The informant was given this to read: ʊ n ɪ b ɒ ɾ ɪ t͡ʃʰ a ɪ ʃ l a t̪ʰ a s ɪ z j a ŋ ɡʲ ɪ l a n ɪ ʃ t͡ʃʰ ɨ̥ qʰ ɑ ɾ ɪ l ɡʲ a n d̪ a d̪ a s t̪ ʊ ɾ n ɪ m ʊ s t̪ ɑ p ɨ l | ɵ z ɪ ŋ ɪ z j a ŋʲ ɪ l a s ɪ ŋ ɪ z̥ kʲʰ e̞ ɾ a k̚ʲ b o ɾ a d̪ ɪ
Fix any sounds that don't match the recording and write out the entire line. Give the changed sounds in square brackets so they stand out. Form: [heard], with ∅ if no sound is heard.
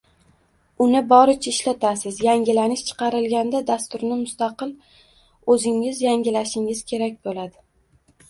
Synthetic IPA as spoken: ʊ n ɪ b ɒ ɾ ɪ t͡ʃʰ a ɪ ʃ l a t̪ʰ a s ɪ z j a ŋ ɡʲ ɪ l a n ɪ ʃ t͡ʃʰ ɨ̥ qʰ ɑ ɾ ɪ l ɡʲ a n d̪ a d̪ a s t̪ ʊ ɾ n ɪ m ʊ s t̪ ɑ [q] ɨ l | ɵ z ɪ ŋ ɪ z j a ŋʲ ɪ l a [ʃ] ɪ ŋ ɪ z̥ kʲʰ e̞ ɾ a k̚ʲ b o [l] a d̪ ɪ